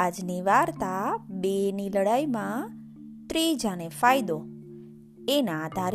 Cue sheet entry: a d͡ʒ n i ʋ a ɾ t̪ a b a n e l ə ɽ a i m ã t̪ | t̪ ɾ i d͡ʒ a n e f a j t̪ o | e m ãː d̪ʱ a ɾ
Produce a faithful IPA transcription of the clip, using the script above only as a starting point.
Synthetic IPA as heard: a d͡ʒ n i ʋ a ɾ t̪ a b e n i l ə ɽ a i m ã | t̪ ɾ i d͡ʒ a n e f a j d̪ o | e n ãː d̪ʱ a ɾ